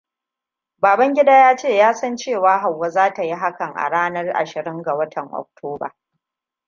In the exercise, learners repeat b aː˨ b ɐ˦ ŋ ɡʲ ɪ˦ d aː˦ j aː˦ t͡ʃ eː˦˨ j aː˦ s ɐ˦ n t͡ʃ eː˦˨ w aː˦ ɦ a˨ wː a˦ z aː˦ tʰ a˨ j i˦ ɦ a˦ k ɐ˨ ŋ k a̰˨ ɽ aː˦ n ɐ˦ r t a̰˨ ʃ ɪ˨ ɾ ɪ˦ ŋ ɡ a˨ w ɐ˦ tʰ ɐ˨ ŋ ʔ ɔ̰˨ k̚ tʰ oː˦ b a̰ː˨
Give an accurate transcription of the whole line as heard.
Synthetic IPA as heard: b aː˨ b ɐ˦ ŋ ɡʲ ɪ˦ d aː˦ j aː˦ t͡ʃ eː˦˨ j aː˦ s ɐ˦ n t͡ʃ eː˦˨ w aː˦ ɦ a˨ wː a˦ z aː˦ t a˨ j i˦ ɦ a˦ k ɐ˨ ŋ ʔ a̰˨ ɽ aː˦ n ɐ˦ r ʔ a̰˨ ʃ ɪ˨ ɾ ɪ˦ ŋ ɡ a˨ w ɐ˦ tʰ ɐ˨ ŋ ʔ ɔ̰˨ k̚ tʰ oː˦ b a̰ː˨

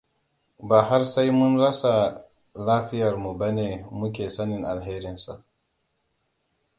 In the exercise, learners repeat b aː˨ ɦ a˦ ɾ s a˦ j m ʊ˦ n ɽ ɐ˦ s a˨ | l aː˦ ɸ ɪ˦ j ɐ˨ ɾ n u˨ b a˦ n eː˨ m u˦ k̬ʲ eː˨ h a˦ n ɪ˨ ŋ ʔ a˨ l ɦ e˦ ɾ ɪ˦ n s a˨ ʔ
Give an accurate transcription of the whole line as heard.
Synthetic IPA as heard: b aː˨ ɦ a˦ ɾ s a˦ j m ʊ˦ n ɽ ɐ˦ s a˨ | l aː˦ ɸ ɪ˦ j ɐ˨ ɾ m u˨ b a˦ n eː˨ m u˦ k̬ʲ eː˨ s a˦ n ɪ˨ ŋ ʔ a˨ l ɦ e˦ ɾ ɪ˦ n s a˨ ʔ

